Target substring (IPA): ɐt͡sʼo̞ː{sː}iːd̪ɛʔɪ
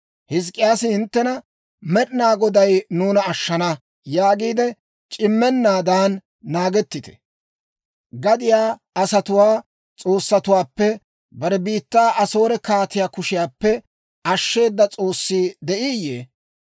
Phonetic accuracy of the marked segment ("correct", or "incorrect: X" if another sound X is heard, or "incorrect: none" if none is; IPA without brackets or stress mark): correct